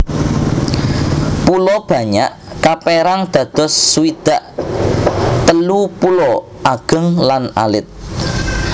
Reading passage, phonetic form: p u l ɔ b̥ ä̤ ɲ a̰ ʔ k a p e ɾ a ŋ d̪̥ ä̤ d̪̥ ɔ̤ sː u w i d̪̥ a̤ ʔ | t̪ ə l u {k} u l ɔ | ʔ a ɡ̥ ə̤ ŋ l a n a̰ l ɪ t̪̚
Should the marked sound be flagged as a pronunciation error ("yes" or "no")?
yes